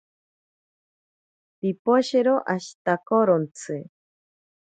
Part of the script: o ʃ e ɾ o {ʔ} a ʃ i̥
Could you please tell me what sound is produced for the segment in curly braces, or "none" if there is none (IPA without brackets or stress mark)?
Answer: ʔ